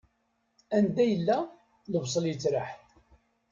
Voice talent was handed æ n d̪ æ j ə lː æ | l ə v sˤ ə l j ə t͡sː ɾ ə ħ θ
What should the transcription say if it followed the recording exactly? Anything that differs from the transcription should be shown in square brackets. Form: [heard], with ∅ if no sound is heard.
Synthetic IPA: æ n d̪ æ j ə lː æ | l ə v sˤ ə l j ə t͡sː ɾ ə ħ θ